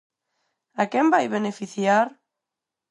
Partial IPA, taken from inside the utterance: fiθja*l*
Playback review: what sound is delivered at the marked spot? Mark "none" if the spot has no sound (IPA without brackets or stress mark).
ɾ